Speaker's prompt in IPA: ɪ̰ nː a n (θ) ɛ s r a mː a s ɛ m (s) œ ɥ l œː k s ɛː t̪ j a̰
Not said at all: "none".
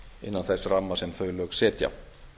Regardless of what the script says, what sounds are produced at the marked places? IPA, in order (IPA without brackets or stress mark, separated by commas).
θ, θ